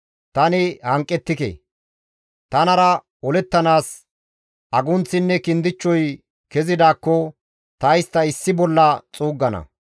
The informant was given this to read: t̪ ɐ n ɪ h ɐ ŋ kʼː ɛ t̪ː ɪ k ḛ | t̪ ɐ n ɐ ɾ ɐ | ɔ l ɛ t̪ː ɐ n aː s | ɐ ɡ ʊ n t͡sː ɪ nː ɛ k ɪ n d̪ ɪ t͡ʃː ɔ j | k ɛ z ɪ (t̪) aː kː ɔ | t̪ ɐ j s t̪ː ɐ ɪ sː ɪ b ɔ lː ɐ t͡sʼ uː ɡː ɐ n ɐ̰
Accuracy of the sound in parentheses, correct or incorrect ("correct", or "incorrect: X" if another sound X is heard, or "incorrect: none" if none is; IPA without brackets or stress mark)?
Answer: incorrect: d̪